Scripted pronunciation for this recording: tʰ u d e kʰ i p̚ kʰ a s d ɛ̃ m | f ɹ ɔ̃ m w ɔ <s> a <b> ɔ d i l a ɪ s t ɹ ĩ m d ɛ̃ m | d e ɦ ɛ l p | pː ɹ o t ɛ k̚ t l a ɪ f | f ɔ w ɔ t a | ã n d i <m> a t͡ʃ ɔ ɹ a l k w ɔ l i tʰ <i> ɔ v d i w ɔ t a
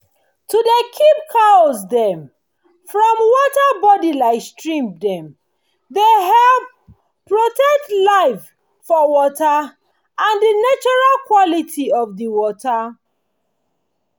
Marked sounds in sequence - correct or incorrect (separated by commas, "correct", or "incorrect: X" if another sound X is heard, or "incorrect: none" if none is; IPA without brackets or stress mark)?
incorrect: t, correct, incorrect: n, correct